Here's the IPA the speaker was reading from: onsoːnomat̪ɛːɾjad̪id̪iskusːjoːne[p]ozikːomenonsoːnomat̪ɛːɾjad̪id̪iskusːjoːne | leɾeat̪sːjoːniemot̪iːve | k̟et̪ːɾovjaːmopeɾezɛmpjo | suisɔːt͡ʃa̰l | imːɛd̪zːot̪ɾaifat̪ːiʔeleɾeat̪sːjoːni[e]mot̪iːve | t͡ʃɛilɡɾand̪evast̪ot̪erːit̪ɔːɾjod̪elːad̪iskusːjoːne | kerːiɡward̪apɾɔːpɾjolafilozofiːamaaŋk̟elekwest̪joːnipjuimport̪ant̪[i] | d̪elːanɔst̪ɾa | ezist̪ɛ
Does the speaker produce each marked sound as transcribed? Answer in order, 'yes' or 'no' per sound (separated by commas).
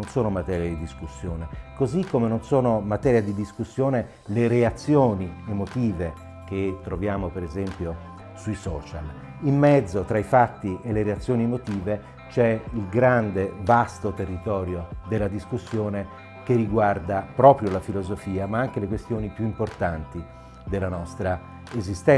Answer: no, yes, yes